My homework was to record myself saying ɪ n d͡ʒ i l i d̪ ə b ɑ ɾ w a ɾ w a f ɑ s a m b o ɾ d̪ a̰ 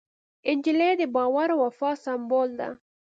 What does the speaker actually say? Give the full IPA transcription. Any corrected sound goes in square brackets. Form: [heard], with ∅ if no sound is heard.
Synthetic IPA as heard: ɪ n d͡ʒ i l [e] d̪ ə b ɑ [∅] w a ɾ w a f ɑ s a m b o [l] d̪ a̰